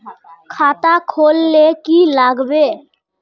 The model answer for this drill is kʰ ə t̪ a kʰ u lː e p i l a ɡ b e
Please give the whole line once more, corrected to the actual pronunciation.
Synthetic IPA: kʰ a t̪ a kʰ o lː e k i l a ɡ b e